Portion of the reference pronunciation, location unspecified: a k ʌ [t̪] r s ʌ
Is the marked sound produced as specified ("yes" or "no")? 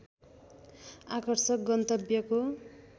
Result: no